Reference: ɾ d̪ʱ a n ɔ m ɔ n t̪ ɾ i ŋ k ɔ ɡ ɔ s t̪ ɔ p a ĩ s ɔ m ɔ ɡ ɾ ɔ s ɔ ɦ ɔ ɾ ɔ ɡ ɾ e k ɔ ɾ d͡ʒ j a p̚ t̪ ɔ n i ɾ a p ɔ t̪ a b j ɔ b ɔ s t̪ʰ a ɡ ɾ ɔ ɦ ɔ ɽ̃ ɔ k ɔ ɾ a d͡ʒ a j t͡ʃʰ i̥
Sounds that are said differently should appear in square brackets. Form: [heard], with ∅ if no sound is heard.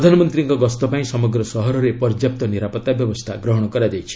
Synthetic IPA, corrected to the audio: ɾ d̪ʱ a n ɔ m ɔ n t̪ ɾ i ŋ k ɔ ɡ ɔ s t̪ ɔ p a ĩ s ɔ m ɔ ɡ ɾ ɔ s ɔ ɦ ɔ ɾ ɔ [∅] ɾ e [p] ɔ ɾ d͡ʒ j a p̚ t̪ ɔ n i ɾ a p ɔ t̪ a b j ɔ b ɔ s t̪ʰ a ɡ ɾ ɔ ɦ ɔ ɽ̃ ɔ k ɔ ɾ a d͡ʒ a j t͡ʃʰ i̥